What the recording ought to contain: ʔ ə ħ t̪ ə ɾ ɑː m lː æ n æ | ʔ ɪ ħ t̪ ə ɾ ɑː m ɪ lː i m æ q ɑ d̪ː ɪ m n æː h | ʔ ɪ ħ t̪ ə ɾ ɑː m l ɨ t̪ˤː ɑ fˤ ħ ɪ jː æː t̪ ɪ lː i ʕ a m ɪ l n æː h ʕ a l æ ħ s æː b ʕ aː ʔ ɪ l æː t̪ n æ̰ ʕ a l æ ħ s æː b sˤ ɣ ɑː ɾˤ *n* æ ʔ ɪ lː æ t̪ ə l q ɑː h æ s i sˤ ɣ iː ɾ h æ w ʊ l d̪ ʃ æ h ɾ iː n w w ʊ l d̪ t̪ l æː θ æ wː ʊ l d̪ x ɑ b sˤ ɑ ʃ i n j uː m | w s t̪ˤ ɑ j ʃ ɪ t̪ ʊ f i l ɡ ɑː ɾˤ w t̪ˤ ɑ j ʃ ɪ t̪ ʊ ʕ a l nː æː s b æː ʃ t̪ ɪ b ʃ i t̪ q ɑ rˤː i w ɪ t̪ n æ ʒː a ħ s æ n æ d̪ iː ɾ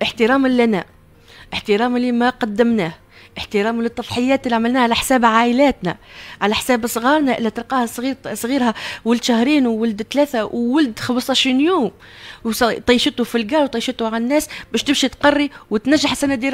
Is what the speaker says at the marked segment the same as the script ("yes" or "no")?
yes